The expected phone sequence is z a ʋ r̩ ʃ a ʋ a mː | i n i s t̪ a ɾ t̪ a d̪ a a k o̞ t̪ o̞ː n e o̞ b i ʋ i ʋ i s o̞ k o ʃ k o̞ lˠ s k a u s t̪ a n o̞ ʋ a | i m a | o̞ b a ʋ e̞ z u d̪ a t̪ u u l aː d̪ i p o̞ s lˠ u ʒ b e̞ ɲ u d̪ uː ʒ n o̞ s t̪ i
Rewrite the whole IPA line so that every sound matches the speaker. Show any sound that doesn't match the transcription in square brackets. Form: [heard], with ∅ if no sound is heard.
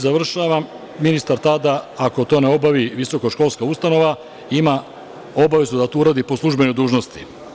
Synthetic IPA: z a ʋ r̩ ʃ a ʋ a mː | i n i s t̪ a ɾ t̪ a d̪ a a k o̞ t̪ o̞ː n e o̞ b [a] ʋ i ʋ i s o̞ k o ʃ k o̞ lˠ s k a u s t̪ a n o̞ ʋ a | i m a | o̞ b a ʋ e̞ z u d̪ a t̪ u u [ɾ] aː d̪ i p o̞ s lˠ u ʒ b e̞ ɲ u d̪ uː ʒ n o̞ s t̪ i